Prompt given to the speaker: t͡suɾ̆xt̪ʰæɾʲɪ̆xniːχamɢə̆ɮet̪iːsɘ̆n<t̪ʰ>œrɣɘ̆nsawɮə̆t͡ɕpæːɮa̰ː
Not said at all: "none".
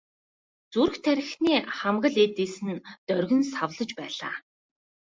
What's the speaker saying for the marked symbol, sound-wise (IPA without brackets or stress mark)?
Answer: t̪